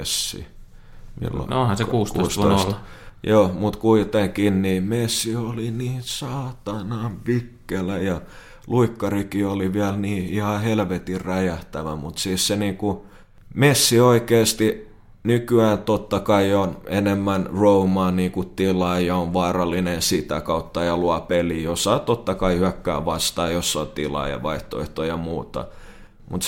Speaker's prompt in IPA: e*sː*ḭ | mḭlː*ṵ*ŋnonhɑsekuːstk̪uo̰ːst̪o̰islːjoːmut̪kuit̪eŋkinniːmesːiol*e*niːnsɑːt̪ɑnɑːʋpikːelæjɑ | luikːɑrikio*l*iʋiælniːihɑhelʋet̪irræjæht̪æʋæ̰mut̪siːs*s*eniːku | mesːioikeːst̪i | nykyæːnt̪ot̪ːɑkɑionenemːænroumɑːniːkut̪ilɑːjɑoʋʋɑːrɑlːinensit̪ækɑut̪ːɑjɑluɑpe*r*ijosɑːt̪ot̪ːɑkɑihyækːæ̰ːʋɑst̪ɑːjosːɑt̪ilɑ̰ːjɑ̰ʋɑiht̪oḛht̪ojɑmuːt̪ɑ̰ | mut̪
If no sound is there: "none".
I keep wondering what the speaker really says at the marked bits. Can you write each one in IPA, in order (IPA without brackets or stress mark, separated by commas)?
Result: sː, o̰, i, l, s, l